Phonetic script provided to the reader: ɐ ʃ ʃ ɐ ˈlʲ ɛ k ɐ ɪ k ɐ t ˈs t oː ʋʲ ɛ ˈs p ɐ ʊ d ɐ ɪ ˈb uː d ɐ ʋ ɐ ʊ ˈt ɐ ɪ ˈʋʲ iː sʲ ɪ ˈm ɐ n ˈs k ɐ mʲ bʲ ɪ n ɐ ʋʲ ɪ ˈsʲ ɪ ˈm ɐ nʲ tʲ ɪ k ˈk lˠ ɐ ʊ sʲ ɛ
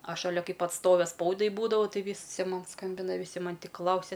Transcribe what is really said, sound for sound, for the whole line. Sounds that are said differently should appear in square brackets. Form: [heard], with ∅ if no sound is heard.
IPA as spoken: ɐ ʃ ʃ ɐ ˈlʲ ɛ k ɐ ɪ [p] ɐ t ˈs t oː ʋʲ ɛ ˈs p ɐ ʊ d ɐ ɪ ˈb uː d ɐ ʋ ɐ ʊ ˈt ɐ ɪ ˈʋʲ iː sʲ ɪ ˈm ɐ n ˈs k ɐ mʲ bʲ ɪ n ɐ ʋʲ ɪ ˈsʲ ɪ ˈm ɐ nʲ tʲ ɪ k ˈk lˠ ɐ ʊ sʲ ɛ